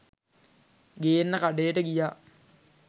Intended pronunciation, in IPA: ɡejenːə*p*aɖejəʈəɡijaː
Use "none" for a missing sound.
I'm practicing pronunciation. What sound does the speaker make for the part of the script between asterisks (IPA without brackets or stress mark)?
k